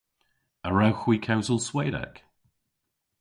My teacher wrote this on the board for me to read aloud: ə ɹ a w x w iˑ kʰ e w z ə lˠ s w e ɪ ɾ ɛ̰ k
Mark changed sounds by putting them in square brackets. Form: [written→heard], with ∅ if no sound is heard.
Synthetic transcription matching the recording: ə ɹ a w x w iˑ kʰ [e→a] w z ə lˠ s w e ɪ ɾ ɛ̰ k